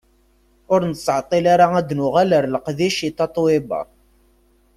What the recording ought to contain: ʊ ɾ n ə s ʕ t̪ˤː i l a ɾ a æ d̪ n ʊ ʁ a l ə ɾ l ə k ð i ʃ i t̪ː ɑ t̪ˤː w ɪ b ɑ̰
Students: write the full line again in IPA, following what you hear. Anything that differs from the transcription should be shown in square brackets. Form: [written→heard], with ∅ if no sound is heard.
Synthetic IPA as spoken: ʊ ɾ n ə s ʕ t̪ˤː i l a ɾ a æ d̪ n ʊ ʁ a l ə ɾ l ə [k→q] ð i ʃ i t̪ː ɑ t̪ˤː w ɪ b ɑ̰